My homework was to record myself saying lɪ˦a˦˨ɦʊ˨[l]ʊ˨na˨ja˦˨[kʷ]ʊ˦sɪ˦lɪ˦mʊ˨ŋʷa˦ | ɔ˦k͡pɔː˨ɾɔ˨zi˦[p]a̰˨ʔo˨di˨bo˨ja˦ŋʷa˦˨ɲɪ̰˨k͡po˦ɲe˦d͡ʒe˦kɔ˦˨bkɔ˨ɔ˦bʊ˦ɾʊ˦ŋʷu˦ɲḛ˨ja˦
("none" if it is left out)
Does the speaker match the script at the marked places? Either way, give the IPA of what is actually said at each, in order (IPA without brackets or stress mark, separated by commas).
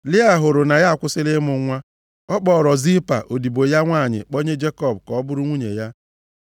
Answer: ɾ, kʷ, p